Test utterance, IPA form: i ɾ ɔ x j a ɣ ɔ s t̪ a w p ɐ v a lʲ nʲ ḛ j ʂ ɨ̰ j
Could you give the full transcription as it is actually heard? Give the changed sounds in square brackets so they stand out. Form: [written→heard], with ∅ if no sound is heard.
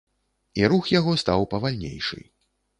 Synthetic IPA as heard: i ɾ [ɔ→u] x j a ɣ ɔ s t̪ a w p ɐ v a lʲ nʲ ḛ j ʂ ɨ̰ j